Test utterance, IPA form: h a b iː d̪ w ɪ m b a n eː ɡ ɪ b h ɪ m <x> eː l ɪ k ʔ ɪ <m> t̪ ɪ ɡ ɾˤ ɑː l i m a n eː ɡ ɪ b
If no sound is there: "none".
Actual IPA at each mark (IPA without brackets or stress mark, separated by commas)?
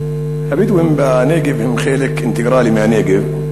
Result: x, n